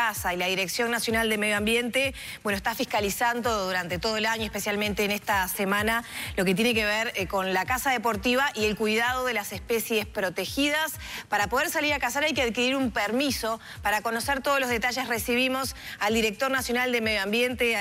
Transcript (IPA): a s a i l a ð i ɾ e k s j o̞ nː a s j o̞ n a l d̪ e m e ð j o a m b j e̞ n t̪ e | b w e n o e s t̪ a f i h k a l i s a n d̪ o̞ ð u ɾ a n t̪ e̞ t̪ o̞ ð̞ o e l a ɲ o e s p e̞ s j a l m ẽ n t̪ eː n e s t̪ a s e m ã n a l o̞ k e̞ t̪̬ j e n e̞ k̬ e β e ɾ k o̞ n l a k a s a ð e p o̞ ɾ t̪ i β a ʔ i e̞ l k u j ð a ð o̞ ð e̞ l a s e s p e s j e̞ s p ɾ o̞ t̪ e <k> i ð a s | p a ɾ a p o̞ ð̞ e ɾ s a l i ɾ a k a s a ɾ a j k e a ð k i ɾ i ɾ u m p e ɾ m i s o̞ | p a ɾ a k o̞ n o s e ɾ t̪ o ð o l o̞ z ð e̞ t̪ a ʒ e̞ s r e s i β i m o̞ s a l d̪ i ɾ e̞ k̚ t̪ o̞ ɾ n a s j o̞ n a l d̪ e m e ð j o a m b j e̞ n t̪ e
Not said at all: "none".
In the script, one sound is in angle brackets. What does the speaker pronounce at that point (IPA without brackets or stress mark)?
x